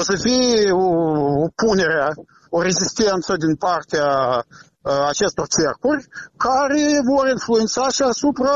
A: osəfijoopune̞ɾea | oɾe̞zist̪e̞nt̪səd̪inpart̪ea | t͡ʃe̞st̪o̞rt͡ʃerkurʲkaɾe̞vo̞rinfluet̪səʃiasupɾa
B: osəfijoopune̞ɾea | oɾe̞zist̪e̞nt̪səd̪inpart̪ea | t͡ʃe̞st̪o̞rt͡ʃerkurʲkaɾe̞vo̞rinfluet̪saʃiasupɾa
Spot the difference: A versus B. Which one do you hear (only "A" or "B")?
B